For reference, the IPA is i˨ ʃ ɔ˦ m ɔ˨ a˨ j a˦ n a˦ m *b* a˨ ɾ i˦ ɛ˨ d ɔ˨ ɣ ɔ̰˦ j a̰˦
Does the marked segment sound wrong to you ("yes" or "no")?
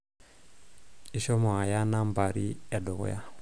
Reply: no